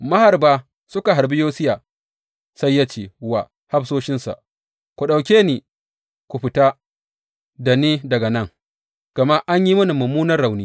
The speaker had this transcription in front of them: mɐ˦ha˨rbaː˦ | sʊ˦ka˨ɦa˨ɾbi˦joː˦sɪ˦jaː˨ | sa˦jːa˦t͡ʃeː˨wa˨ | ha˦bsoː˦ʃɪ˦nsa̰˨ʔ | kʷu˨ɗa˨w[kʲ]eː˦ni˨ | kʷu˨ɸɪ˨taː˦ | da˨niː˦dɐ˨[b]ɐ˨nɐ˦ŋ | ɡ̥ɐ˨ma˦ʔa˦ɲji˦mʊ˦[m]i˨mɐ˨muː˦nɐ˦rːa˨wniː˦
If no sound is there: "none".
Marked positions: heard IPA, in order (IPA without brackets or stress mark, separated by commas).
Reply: kʲ, ɡ, n